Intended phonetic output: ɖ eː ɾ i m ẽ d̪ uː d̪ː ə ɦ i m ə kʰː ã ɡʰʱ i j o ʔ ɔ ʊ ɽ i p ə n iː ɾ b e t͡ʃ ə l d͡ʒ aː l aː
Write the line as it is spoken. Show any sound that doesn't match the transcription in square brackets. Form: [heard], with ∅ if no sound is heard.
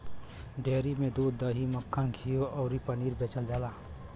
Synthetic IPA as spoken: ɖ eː ɾ i m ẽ d̪ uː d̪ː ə ɦ i m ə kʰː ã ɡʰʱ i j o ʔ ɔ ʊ [ɾ] i p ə n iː ɾ b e t͡ʃ ə l d͡ʒ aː l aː